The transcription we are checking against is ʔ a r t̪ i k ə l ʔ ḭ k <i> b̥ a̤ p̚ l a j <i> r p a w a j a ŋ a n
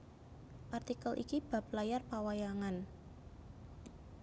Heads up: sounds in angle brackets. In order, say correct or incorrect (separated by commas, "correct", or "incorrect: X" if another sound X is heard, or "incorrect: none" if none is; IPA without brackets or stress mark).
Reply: correct, incorrect: a